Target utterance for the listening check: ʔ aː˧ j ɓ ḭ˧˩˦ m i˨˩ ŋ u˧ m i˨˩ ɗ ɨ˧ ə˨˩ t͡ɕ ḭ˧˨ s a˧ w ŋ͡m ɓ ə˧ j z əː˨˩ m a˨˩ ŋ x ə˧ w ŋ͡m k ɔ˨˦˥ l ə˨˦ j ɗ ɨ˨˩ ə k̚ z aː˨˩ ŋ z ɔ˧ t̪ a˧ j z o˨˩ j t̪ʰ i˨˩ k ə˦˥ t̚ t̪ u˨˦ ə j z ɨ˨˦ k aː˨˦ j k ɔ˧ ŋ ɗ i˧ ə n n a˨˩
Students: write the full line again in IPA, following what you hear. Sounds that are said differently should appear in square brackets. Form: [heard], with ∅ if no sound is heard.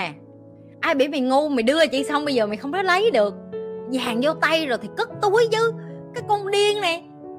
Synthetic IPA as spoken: ʔ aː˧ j ɓ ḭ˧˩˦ m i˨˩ ŋ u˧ m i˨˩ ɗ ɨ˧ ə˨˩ t͡ɕ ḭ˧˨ s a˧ w ŋ͡m ɓ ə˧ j z əː˨˩ m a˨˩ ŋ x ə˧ w ŋ͡m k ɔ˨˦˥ l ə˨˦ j ɗ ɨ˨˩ ə k̚ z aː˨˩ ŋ z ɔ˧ t̪ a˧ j z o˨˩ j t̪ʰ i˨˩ k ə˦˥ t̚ t̪ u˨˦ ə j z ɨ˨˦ k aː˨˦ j k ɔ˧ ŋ ɗ i˧ ə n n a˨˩